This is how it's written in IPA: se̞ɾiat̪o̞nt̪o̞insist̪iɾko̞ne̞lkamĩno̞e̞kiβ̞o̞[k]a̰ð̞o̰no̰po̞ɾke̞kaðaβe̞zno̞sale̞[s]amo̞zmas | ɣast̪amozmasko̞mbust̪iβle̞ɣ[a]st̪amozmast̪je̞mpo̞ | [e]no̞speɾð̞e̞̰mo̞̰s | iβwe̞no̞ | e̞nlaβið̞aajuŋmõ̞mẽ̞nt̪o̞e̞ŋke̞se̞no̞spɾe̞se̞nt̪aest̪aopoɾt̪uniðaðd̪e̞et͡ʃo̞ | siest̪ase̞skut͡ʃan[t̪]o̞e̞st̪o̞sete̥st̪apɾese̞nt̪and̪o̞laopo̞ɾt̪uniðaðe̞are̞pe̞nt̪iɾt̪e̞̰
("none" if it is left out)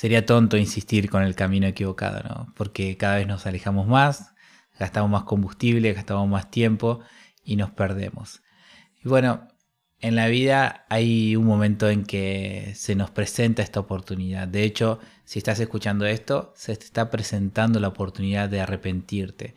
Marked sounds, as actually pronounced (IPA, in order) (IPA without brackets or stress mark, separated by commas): k, x, a, i, d̪